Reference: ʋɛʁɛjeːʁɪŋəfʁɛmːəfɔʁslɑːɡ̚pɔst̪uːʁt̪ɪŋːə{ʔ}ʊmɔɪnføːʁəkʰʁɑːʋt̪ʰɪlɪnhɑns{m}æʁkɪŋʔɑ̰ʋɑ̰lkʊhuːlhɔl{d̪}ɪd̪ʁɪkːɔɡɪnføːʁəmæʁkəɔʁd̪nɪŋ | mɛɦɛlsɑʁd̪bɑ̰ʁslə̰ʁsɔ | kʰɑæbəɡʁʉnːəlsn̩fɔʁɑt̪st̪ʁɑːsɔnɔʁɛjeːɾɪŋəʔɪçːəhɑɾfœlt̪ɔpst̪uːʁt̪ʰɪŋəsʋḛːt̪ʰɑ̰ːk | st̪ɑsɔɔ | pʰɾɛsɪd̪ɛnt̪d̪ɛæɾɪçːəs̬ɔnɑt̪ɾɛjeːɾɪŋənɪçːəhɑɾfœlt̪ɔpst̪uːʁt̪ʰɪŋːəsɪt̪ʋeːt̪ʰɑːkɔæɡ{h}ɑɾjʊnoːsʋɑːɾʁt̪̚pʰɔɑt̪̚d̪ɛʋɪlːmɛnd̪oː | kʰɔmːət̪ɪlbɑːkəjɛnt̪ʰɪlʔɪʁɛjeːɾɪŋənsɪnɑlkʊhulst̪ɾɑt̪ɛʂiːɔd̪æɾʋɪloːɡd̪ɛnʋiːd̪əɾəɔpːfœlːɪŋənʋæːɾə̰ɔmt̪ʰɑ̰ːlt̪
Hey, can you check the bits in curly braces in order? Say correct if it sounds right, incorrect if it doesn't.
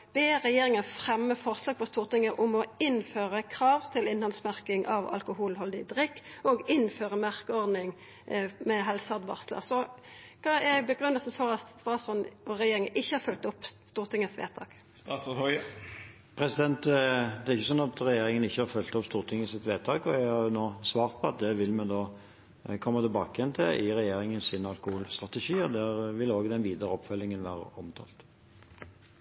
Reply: correct, correct, correct, correct

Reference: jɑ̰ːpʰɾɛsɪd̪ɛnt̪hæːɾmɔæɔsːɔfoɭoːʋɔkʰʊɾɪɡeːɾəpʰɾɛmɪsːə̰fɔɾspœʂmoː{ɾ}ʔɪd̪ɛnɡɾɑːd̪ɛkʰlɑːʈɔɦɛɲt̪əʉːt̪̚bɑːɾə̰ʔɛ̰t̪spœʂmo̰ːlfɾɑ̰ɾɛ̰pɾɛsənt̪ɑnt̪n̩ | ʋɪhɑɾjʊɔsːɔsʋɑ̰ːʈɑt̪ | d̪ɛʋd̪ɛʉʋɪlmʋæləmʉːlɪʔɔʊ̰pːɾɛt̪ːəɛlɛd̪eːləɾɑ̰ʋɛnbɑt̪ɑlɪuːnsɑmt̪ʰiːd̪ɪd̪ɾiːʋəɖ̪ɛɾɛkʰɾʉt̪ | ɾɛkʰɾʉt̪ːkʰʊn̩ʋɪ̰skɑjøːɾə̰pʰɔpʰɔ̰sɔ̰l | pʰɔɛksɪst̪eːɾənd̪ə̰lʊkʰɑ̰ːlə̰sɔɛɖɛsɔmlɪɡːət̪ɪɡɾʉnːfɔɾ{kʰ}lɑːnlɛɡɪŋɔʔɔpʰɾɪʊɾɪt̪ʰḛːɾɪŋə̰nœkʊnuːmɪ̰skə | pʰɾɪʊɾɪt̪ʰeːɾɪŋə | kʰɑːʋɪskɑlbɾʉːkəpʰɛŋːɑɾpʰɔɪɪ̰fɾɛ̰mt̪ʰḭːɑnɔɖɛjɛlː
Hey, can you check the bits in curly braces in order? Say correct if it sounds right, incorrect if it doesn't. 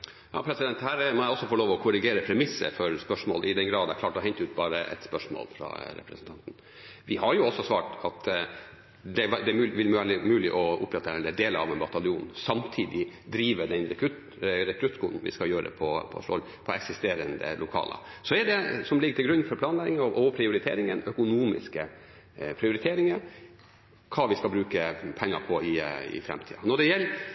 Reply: incorrect, incorrect

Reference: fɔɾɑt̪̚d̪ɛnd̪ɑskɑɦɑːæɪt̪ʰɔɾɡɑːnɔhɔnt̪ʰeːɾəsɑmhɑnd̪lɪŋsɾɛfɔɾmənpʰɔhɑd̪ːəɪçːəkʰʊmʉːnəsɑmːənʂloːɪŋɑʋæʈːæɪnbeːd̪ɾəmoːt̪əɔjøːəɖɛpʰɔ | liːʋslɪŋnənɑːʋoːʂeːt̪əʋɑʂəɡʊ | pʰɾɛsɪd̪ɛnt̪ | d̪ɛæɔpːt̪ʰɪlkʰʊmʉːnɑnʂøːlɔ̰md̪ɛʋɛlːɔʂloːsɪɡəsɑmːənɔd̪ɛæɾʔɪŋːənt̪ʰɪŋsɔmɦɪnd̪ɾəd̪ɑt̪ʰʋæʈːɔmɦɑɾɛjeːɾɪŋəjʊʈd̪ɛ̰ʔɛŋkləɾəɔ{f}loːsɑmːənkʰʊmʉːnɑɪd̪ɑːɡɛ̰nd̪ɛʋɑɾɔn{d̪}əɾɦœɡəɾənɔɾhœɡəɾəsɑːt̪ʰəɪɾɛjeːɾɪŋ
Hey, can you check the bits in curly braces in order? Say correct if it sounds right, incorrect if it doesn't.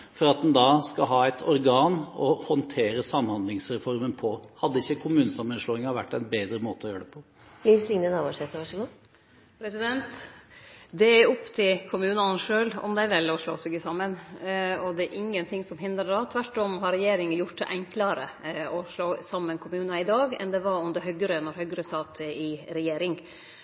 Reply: incorrect, correct

